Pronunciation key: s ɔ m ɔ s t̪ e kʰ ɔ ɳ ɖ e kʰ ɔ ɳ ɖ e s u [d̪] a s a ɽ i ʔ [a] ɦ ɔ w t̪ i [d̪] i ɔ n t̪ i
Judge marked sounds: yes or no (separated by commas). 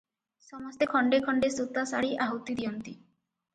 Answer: no, yes, yes